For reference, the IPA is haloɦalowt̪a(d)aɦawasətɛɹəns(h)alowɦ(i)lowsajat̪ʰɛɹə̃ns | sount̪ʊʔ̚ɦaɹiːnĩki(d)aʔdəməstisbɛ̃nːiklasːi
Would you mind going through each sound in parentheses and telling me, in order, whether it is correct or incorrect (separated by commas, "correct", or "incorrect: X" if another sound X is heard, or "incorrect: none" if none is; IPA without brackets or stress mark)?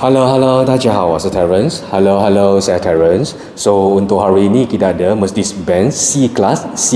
incorrect: d͡ʒ, correct, incorrect: a, correct